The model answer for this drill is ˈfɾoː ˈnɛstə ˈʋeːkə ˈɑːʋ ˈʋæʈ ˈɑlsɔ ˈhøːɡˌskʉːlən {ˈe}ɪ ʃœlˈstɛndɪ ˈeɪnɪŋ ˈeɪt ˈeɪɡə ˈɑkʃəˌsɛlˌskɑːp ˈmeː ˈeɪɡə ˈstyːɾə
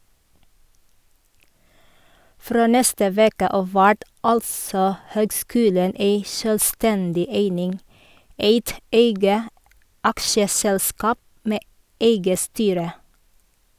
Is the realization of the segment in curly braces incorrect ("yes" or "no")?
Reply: no